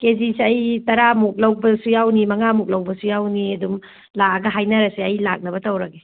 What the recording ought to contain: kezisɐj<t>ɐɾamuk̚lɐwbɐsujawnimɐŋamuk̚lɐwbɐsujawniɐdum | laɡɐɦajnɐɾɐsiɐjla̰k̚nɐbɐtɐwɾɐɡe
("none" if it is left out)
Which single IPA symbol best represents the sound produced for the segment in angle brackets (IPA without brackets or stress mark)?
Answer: t